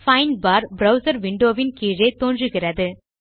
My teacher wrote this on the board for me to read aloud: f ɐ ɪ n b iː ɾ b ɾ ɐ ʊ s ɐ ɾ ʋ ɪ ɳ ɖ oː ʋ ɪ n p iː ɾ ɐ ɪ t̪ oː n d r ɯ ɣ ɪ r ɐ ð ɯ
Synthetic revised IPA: f ɐ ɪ n b aː ɾ b ɾ ɐ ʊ s ɐ ɾ ʋ ɪ ɳ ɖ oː ʋ ɪ n k iː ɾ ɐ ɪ t̪ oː n d r ɯ ɣ ɪ r ɐ ð ɯ